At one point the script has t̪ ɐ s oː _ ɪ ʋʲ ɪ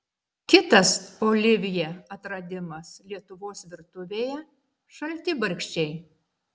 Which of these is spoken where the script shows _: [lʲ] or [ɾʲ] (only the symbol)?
lʲ